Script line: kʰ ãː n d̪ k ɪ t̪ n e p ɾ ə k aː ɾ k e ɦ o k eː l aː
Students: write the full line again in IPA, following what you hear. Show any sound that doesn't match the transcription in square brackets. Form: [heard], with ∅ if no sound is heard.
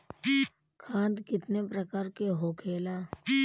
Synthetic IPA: kʰ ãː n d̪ k ɪ t̪ n e p ɾ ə k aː ɾ k e ɦ o [kʰ] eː l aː